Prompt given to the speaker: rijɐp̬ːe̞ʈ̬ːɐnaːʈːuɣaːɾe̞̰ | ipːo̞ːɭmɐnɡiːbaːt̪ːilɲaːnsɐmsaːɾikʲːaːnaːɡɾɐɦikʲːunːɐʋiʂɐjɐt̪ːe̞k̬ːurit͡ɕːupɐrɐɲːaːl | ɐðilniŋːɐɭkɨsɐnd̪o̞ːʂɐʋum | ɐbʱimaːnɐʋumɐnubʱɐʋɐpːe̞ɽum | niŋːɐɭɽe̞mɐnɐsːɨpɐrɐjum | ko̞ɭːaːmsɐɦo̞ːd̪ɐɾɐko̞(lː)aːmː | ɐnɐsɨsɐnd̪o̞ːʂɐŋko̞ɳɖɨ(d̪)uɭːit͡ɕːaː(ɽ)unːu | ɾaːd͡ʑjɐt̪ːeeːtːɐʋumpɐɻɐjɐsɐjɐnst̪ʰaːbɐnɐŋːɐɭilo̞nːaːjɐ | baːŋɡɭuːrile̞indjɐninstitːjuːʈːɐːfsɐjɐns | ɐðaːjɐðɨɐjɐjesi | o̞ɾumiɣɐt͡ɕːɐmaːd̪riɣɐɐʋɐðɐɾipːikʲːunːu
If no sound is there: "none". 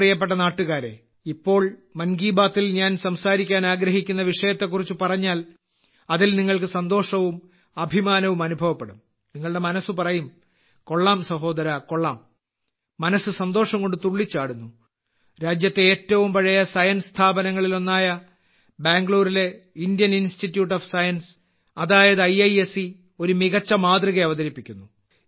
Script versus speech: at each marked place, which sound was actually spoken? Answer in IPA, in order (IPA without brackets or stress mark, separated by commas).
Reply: ɭː, t̪, ɽ